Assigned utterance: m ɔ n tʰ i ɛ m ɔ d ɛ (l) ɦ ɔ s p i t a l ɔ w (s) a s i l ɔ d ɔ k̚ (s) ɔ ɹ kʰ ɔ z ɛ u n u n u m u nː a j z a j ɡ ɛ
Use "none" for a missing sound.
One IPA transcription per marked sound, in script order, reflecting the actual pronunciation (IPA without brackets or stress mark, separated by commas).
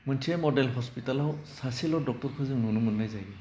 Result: l, s, t